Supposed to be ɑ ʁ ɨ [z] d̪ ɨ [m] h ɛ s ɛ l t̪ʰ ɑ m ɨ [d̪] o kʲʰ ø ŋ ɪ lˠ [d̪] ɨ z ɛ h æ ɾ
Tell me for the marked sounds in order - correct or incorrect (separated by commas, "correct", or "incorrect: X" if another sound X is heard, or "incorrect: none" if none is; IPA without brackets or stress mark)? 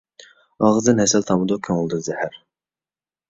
correct, incorrect: n, correct, correct